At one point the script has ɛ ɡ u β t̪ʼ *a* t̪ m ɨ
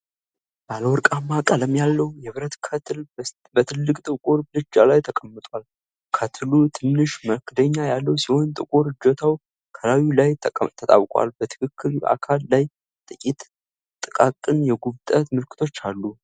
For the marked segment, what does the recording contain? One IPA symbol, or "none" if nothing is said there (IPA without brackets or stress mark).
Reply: ə